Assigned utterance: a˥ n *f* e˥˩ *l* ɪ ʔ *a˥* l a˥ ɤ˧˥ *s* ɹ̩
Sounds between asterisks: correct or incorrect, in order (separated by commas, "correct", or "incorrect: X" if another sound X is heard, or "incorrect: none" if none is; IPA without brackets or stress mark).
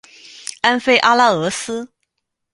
correct, incorrect: none, correct, correct